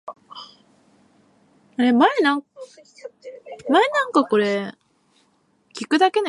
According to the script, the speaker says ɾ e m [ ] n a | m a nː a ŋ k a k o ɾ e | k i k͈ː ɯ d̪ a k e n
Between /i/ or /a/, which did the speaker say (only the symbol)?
a